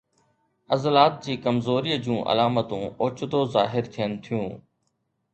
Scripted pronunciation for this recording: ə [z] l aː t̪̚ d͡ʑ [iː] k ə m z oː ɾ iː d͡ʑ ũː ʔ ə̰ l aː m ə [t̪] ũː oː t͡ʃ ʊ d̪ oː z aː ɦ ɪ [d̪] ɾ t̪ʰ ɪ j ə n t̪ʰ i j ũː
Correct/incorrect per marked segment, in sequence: correct, correct, correct, incorrect: none

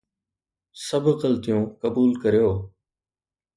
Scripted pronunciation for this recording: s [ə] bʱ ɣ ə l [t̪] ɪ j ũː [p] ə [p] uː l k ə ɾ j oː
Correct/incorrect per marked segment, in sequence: correct, correct, incorrect: k, incorrect: b

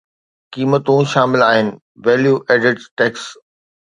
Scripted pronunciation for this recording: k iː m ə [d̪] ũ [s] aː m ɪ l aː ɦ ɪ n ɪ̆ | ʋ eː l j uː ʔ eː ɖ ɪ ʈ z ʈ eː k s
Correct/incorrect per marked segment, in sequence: incorrect: t̪, incorrect: ʃ

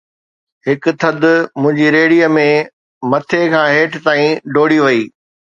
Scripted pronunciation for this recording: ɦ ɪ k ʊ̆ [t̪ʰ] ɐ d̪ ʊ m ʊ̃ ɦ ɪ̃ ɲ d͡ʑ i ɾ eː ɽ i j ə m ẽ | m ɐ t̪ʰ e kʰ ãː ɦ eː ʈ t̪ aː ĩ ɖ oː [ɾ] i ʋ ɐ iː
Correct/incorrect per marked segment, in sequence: correct, incorrect: ɽ

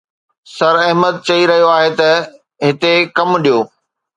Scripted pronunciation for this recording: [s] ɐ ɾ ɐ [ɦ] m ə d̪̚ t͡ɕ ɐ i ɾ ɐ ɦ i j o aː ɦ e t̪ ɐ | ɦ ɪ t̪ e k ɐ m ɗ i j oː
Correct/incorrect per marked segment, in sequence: correct, correct

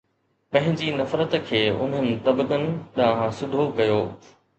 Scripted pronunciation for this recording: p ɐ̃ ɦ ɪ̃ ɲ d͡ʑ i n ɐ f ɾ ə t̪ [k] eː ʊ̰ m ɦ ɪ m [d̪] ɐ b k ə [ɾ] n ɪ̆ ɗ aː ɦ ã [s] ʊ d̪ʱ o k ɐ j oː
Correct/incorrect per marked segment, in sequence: incorrect: kʰ, incorrect: t̪, incorrect: none, correct

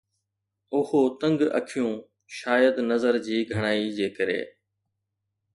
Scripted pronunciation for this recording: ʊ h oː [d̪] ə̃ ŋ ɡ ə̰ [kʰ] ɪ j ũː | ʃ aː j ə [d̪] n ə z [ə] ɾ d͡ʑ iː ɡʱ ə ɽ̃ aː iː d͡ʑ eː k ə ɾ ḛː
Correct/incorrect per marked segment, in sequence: incorrect: t̪, correct, correct, correct

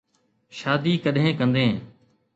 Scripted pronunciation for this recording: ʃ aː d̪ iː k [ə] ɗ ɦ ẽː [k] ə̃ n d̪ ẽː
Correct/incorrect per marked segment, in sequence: correct, correct

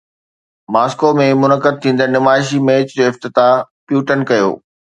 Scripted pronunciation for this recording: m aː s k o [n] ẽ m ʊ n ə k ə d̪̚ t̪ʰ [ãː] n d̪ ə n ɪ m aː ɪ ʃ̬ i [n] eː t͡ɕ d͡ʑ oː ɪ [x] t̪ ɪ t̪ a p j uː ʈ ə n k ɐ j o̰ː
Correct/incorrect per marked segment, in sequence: incorrect: m, incorrect: ĩː, incorrect: m, incorrect: f

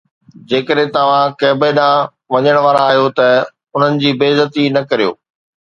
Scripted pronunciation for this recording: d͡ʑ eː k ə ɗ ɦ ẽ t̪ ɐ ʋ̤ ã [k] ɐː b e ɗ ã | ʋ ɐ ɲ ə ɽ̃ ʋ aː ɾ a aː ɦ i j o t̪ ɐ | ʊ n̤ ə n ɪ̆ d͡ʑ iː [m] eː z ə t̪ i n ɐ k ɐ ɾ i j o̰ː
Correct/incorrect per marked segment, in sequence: correct, incorrect: b

